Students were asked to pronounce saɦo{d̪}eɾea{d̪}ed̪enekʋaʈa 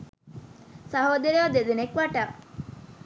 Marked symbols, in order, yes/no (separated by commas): yes, yes